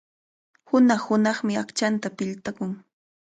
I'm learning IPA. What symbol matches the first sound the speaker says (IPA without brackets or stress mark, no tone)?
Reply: h